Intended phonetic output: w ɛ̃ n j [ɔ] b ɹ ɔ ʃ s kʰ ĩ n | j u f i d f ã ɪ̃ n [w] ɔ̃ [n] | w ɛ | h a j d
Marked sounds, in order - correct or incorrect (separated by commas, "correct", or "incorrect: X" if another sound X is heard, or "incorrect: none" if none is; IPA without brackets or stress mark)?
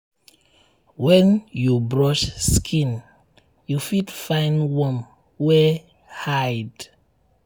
incorrect: u, correct, incorrect: m